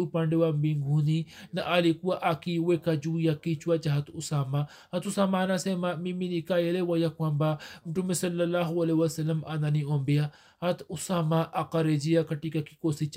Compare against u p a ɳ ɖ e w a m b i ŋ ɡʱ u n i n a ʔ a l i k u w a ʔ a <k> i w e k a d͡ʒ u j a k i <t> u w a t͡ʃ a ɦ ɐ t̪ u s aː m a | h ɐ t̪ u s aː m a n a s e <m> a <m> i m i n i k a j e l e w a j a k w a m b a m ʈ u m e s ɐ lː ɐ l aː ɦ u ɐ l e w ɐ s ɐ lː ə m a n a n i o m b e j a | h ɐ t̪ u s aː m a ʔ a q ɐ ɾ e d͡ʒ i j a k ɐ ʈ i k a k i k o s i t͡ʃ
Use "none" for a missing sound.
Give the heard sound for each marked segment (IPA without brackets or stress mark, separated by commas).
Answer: k, t͡ʃ, m, m